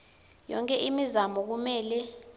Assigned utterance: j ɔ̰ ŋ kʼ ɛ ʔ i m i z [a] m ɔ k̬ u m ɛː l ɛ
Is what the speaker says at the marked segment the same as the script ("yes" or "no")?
yes